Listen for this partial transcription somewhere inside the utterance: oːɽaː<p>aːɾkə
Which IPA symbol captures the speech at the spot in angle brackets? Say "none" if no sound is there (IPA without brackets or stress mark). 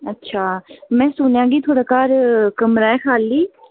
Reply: k